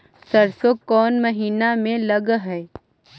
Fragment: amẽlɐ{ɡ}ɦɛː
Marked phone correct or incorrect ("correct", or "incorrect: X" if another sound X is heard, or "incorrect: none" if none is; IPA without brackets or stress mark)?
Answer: correct